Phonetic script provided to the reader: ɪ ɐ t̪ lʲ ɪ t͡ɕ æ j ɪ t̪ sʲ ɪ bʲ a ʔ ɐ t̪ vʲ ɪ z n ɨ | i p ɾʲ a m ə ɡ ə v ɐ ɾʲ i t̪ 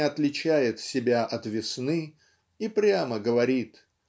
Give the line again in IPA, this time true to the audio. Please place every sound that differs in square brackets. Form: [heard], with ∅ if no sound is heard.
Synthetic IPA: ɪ ɐ t̪ lʲ ɪ t͡ɕ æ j ɪ t̪ sʲ ɪ bʲ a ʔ ɐ t̪ vʲ ɪ [s] n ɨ | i p ɾʲ a m ə ɡ ə v ɐ ɾʲ i t̪